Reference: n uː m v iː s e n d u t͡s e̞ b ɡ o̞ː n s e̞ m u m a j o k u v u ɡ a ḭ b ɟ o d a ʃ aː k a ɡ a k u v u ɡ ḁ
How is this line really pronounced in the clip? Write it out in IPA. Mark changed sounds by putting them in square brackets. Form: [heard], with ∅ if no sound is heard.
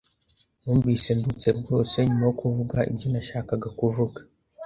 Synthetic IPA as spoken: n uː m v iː s e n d u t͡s e̞ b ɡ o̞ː [∅] s e̞ [ɲ] u m a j o k u v u ɡ a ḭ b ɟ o [n] a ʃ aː k a ɡ a k u v u ɡ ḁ